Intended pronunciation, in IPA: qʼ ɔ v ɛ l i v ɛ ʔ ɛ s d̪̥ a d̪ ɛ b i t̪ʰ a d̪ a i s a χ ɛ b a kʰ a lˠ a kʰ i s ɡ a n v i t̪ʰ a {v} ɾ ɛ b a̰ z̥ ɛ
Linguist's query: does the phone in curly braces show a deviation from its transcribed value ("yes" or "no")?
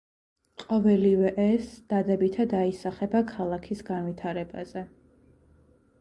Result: yes